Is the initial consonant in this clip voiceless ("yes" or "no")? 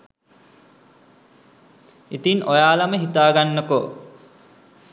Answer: yes